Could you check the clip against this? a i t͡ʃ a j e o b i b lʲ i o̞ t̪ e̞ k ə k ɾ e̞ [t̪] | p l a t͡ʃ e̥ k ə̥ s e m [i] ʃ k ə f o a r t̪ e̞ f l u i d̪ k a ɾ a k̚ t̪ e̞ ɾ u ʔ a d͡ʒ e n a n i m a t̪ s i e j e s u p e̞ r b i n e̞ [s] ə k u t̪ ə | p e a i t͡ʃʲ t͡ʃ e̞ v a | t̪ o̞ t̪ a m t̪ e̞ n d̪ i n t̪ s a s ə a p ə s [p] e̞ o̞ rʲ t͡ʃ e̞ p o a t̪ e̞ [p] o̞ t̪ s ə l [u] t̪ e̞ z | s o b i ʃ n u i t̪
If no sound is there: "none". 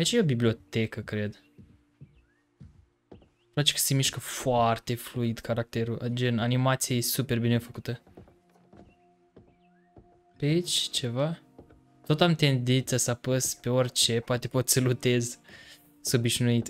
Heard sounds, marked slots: d̪, i, f, p, p, u

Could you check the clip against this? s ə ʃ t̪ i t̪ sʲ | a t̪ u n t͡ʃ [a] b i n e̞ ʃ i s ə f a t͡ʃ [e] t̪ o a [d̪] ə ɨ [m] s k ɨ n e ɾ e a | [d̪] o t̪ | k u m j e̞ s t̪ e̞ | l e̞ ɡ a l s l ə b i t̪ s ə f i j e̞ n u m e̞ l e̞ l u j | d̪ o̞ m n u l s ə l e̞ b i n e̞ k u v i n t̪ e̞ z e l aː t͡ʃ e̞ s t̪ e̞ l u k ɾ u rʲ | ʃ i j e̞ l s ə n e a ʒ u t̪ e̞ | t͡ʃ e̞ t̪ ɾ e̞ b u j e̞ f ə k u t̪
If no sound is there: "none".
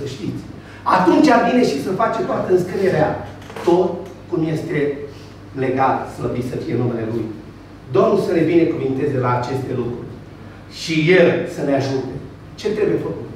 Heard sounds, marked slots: a, e, t̪, n, t̪

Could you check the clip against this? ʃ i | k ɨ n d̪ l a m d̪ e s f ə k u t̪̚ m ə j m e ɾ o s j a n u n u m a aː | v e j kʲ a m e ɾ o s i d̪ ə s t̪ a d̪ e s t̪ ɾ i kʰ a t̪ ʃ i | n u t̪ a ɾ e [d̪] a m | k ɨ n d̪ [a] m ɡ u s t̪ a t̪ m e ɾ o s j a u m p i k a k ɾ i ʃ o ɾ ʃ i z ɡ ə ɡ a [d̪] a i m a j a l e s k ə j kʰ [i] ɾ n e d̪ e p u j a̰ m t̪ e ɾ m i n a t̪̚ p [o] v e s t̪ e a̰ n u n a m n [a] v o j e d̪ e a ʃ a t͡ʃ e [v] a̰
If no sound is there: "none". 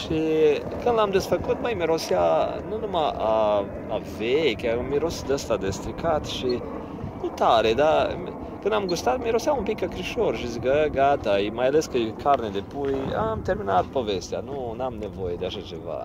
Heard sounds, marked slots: d̪, a, t̪, a, o, e, v

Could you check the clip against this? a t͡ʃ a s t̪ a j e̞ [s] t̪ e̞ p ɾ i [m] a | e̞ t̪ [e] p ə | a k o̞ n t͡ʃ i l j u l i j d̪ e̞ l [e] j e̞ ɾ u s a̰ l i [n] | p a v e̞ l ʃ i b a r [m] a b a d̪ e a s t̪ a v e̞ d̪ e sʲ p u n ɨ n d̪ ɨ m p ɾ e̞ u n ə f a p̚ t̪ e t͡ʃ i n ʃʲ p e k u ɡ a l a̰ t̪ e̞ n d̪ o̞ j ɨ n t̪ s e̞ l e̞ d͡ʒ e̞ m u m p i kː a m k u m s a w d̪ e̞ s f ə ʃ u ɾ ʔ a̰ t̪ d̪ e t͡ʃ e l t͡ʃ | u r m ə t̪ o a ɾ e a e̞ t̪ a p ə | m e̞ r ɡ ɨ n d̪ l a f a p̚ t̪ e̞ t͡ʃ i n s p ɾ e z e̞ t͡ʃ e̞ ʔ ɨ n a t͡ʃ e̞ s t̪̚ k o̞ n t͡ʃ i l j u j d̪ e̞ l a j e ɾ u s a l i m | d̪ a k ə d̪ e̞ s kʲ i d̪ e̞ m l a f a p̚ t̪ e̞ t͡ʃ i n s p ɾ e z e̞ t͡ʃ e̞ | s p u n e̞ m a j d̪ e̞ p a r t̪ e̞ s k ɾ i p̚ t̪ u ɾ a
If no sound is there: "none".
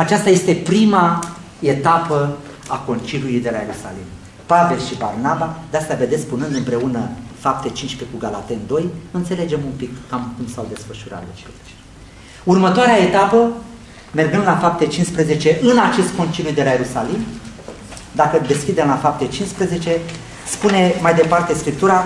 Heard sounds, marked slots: s, m, a, a, m, n

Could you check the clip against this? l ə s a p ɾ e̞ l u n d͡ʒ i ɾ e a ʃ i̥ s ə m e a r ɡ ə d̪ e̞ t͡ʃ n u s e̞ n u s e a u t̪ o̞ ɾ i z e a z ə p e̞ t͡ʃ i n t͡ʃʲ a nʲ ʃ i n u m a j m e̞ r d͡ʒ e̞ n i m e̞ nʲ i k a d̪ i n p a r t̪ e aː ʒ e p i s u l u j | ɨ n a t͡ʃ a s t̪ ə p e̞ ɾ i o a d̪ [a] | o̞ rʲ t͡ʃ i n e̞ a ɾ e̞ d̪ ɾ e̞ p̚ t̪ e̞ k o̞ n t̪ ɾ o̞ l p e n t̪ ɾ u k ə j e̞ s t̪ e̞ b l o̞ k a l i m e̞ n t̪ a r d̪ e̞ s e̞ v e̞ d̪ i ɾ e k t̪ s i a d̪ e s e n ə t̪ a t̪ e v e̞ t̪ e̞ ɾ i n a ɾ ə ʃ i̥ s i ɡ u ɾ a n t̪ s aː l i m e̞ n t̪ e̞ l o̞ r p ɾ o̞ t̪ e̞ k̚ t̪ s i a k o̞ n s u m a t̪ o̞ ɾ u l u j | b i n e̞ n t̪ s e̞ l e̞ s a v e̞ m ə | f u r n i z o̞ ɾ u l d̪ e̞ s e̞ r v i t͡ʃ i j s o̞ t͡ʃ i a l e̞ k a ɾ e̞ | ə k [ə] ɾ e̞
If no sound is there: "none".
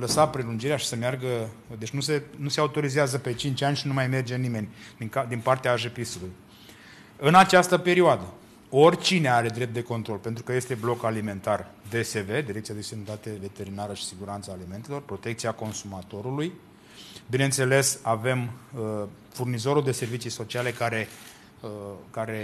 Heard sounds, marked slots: ə, a

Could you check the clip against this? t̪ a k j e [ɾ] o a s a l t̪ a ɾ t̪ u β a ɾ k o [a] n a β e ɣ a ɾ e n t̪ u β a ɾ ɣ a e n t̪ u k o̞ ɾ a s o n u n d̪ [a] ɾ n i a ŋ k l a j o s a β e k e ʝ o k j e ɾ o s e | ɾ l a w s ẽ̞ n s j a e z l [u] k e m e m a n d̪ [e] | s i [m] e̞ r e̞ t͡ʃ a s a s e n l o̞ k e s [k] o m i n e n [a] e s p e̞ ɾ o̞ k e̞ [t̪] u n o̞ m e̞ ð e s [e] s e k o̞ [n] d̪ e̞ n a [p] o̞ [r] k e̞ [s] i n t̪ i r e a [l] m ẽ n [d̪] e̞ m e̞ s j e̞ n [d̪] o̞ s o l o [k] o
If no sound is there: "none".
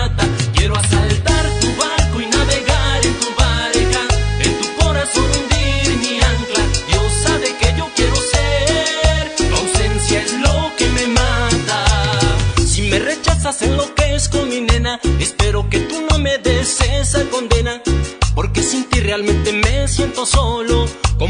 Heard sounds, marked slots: ɾ, i, i, o, a, m, k, a, t̪, e, n, p, ɾ, s, l, t̪, t̪, k

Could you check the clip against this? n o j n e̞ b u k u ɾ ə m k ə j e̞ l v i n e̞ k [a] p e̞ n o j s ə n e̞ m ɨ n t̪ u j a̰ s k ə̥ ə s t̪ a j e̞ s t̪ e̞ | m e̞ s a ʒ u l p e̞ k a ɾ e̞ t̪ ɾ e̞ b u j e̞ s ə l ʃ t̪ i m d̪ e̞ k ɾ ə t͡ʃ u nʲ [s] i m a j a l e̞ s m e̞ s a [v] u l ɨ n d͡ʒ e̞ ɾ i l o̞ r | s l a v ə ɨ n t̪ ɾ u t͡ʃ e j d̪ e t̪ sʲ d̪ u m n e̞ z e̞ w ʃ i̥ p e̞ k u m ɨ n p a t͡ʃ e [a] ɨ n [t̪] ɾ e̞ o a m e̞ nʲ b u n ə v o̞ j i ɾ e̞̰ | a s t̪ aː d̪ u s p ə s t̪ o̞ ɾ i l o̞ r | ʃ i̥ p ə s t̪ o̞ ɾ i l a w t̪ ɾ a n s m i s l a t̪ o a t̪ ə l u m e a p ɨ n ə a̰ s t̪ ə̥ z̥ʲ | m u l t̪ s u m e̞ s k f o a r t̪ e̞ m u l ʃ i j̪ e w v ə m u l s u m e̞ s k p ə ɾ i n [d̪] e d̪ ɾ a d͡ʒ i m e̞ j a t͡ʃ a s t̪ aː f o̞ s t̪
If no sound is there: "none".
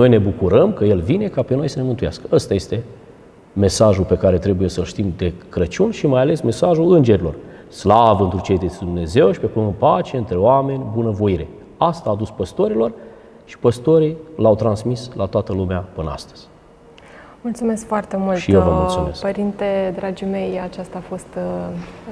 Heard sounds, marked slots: a, ʃ, ʒ, e, t̪, t̪

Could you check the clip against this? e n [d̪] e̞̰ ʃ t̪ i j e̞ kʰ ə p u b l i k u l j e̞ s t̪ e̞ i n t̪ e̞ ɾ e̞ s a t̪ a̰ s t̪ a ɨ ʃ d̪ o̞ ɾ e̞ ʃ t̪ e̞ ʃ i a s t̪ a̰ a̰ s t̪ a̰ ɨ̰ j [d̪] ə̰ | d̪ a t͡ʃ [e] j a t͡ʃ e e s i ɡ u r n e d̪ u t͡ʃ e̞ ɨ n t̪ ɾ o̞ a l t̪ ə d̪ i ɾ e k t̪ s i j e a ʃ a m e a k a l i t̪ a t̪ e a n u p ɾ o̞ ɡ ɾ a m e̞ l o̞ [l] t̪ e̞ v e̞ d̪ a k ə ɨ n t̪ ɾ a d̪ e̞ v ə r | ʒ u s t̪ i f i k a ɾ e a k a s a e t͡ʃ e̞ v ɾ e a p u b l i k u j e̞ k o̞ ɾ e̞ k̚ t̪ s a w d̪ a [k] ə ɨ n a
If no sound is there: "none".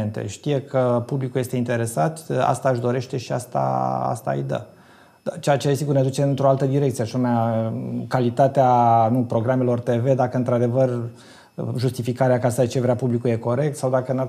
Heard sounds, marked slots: t̪, d̪, e, r, k

